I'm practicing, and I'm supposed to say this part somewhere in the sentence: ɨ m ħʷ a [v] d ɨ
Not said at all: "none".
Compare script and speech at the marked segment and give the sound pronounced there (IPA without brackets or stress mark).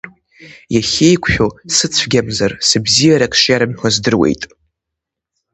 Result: z